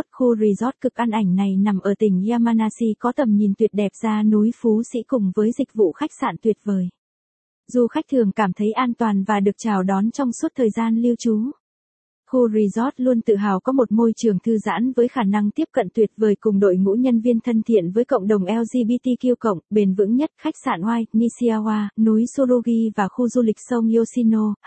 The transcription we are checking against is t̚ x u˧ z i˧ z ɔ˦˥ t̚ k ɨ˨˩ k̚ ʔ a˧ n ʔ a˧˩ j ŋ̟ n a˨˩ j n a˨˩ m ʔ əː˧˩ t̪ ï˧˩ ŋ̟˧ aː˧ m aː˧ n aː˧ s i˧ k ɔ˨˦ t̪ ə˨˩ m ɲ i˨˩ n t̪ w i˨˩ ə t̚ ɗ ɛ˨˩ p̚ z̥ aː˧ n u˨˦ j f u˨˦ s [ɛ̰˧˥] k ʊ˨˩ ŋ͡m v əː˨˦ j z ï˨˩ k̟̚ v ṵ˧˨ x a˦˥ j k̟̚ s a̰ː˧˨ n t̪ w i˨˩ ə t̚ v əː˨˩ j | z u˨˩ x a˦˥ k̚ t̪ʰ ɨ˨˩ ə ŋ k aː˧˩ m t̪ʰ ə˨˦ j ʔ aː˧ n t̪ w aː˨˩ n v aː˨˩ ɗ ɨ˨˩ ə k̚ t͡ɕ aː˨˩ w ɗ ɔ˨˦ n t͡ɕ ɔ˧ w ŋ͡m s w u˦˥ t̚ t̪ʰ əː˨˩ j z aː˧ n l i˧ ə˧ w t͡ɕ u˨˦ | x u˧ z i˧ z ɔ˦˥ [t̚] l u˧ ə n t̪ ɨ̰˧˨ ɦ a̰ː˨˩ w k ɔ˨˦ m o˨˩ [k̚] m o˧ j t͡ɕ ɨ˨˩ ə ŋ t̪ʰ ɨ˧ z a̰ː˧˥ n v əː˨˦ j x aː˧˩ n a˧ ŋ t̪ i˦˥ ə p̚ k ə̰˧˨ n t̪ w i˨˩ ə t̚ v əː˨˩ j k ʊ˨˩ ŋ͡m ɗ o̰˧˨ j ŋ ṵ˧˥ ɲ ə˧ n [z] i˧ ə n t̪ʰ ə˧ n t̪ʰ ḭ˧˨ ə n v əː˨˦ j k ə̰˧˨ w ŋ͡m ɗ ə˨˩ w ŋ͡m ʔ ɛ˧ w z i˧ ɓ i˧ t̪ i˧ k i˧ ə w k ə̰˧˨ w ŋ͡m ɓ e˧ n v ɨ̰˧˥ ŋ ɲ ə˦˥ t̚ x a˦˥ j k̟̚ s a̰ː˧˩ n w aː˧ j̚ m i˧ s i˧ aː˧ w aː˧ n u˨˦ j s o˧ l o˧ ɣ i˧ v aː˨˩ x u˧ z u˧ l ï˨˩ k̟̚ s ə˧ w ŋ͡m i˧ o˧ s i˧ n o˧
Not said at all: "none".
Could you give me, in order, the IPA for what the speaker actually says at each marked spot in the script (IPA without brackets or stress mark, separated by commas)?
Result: ḭ˧˥, t̚, t̚, v